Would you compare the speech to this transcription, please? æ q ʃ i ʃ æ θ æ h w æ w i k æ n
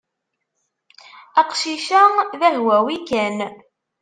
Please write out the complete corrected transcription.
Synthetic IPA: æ q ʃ i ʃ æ ð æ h w æ w i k æ n